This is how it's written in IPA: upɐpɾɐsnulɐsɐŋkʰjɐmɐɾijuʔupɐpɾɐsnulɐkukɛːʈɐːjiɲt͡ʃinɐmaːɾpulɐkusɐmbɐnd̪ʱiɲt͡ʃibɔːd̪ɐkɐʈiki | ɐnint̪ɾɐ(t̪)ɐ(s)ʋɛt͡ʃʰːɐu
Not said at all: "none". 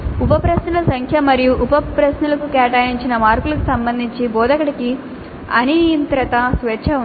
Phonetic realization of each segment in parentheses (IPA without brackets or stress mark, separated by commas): t̪, s